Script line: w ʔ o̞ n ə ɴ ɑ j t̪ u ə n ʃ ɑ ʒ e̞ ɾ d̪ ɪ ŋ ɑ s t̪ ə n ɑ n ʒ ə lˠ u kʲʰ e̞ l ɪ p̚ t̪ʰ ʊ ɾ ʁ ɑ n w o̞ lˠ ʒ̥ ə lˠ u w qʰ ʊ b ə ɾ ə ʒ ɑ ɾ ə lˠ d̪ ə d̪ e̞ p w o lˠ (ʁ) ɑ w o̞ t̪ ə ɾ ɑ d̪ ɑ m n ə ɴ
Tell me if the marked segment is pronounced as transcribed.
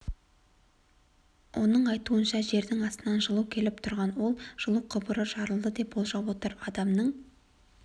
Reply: no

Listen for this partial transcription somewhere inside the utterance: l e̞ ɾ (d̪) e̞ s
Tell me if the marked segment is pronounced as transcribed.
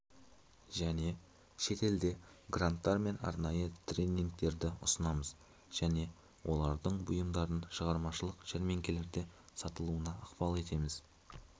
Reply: yes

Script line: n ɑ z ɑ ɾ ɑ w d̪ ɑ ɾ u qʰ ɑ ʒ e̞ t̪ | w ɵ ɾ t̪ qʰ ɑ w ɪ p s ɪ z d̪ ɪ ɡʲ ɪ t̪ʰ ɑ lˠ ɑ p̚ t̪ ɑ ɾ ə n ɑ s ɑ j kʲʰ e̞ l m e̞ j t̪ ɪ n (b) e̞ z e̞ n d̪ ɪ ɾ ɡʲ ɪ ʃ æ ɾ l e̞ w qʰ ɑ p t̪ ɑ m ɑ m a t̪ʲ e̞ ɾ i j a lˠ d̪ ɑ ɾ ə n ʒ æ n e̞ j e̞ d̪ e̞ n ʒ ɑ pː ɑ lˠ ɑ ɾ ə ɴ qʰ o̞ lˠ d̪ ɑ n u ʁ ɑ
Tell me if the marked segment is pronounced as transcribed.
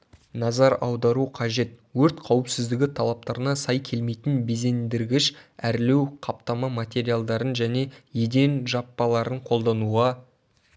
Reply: yes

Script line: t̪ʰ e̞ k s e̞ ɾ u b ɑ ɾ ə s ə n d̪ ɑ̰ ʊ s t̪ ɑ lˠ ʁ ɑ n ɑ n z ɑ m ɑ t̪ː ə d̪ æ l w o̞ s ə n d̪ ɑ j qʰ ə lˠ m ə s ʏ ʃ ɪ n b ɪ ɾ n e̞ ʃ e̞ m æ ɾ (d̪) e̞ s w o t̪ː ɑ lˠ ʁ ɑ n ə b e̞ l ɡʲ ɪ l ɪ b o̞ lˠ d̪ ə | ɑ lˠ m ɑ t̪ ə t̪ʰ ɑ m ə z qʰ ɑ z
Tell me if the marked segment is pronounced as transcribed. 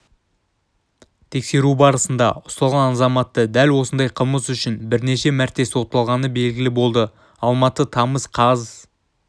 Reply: no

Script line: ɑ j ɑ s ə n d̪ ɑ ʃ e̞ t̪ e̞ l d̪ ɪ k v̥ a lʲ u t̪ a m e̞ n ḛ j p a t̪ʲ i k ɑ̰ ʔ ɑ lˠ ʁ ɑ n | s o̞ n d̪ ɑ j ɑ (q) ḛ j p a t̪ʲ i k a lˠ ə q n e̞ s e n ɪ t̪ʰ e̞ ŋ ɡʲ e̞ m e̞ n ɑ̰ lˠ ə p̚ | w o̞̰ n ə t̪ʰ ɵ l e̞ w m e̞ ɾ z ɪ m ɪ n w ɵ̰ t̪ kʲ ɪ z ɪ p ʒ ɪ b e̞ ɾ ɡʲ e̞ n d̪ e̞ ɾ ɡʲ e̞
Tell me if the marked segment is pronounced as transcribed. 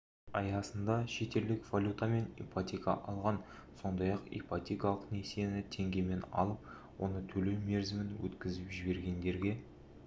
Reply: yes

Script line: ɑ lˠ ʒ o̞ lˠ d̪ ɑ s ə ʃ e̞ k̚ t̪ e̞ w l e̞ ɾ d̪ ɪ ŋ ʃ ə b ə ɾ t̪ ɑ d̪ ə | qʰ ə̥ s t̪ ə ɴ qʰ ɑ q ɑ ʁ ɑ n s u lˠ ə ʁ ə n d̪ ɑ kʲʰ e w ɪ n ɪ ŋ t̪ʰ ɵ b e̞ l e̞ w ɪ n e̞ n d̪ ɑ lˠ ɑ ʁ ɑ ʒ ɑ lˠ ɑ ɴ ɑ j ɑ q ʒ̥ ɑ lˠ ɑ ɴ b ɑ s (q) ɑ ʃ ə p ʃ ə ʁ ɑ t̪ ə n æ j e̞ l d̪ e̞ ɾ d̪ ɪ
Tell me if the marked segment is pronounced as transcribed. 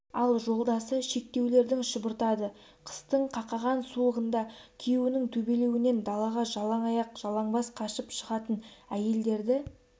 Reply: no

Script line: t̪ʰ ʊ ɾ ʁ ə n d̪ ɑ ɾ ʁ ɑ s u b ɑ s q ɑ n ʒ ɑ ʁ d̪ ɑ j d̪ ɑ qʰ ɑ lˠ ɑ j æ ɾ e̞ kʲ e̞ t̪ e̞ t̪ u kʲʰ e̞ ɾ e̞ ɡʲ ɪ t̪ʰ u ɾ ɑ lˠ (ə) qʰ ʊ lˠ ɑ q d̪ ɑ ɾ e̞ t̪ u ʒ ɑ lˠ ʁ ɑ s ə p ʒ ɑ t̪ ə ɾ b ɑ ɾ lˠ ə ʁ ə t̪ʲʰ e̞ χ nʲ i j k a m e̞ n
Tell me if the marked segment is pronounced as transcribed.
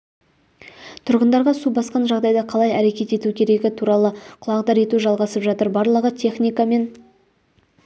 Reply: yes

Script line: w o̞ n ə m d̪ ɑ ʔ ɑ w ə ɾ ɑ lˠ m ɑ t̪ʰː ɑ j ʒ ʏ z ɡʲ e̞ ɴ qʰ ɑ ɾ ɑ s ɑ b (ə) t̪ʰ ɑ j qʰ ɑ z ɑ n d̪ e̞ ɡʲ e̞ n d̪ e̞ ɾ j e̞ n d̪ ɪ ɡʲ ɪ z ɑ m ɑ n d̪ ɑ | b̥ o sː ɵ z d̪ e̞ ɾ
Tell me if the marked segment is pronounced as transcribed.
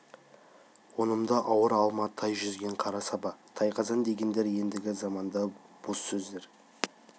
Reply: no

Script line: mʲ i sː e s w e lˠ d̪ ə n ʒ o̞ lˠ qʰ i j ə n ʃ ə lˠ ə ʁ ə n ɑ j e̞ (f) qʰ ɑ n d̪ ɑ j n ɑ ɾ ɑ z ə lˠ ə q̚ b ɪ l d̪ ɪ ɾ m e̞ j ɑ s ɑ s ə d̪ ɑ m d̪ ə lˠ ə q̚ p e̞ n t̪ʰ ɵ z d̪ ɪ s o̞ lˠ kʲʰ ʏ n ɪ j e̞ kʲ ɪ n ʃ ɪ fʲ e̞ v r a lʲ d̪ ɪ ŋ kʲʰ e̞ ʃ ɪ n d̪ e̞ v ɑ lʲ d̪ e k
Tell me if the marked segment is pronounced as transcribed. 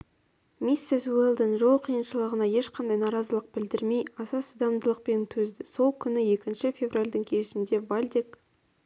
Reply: no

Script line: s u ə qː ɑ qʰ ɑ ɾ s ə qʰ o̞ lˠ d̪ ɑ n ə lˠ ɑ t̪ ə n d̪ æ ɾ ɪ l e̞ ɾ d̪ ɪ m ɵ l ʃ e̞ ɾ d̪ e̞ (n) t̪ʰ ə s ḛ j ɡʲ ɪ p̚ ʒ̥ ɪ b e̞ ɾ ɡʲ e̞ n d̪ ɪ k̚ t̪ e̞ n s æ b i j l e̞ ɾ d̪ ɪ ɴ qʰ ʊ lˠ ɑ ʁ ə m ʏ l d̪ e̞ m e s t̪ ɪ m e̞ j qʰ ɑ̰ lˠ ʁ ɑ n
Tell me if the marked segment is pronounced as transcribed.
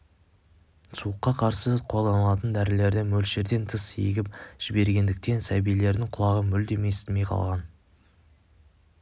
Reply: yes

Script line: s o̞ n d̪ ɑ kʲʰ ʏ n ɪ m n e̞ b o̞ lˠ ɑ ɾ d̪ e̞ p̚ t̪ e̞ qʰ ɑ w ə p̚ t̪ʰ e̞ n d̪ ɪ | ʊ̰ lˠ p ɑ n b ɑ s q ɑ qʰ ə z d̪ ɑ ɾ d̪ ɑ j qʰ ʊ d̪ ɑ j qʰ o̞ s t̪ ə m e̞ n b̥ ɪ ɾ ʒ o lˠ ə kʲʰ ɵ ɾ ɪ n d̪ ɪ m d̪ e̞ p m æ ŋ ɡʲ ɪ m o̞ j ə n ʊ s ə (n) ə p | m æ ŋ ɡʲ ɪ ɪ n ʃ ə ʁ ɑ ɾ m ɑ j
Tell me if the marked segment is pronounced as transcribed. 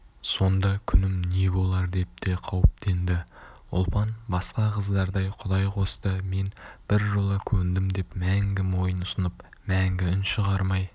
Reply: yes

